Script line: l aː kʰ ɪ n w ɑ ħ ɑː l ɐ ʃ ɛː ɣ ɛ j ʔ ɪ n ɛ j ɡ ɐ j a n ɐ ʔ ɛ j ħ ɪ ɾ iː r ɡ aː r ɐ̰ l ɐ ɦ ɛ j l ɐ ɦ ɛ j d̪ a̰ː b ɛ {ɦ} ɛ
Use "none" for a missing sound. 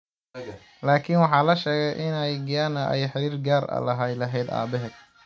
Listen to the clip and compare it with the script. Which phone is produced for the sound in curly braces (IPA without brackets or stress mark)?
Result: ɦ